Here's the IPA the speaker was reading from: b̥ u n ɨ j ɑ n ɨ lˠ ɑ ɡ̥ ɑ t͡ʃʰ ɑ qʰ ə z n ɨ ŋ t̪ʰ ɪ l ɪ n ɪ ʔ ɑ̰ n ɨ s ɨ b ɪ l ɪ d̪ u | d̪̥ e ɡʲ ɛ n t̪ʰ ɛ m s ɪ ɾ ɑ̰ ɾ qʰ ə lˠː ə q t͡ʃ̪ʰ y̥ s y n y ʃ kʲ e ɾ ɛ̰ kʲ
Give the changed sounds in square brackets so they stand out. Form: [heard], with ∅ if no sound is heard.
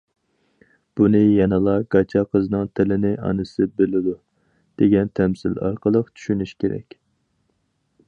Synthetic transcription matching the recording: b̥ u n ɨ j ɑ n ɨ lˠ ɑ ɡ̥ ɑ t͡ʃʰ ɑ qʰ ə z n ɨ ŋ t̪ʰ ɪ l ɪ n ɪ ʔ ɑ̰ n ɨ s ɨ b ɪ l ɪ d̪ u | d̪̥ e ɡʲ ɛ n t̪ʰ ɛ m s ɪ [l] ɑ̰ ɾ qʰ ə [lˠ] ə q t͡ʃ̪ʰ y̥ [ʃ] y n y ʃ kʲ e ɾ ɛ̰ kʲ